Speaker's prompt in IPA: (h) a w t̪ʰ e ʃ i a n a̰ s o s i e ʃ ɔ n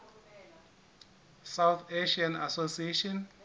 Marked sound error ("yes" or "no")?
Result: yes